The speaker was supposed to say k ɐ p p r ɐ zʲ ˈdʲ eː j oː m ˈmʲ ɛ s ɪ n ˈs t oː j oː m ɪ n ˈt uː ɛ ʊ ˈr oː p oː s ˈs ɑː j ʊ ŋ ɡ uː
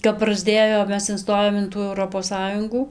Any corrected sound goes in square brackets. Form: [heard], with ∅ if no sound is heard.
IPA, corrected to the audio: k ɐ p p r ɐ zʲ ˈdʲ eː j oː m ˈmʲ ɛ s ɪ n ˈs t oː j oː m ɪ n ˈt uː ɛ ʊ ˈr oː p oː s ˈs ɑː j ʊ ŋ ɡ uː